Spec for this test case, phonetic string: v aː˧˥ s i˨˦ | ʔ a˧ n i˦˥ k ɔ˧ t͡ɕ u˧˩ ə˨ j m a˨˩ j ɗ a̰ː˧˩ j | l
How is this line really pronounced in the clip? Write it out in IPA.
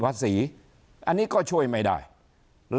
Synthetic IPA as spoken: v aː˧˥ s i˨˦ | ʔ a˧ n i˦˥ k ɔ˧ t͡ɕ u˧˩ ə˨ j m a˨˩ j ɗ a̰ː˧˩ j | l